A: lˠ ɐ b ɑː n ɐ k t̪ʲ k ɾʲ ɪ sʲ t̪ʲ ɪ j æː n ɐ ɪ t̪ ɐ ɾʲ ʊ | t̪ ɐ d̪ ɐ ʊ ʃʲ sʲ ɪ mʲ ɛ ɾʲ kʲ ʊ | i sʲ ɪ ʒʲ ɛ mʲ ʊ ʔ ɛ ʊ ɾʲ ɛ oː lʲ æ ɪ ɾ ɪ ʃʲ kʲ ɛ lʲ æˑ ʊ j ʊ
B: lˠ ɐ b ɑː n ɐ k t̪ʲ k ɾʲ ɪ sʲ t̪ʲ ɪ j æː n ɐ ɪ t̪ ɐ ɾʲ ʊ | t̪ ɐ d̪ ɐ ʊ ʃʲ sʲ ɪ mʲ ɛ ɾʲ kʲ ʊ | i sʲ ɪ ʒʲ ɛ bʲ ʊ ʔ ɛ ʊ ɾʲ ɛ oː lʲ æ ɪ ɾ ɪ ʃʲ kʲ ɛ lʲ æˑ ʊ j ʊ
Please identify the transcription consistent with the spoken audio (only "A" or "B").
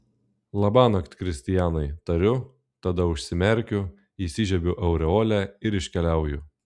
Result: B